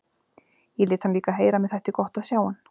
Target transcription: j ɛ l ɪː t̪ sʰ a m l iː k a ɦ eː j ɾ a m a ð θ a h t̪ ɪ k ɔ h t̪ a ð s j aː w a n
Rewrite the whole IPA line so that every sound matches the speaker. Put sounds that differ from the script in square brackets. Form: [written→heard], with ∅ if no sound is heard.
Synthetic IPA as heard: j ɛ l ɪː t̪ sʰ a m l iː k a ɦ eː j ɾ a m [a→ɛ] ð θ [a→ɛ] h t̪ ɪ k ɔ h t̪ a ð s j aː w a n